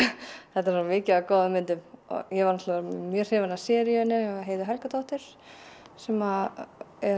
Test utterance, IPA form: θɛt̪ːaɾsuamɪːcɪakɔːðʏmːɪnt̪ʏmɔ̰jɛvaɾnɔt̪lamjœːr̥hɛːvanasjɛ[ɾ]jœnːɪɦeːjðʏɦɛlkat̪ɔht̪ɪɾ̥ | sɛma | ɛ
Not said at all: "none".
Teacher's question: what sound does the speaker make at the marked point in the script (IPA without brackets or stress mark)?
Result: ɾ